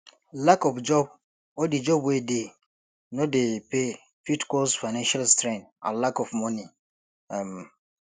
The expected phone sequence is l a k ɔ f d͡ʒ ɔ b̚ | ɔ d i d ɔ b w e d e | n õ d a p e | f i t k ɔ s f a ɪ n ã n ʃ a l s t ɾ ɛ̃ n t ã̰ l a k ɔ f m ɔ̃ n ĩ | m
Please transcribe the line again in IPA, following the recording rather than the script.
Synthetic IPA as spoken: l a k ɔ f d͡ʒ ɔ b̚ | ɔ d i d͡ʒ ɔ b w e d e | n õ d e p e | f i t k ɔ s f a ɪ n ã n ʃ a l s t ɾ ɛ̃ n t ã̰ l a k ɔ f m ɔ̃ n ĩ | m